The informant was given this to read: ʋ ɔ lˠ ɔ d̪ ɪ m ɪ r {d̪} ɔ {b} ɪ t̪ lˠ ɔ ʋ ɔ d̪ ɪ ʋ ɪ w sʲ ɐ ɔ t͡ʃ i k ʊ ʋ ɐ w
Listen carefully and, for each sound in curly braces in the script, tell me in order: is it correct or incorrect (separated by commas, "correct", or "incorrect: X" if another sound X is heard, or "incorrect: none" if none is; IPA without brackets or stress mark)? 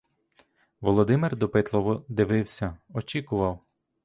correct, incorrect: p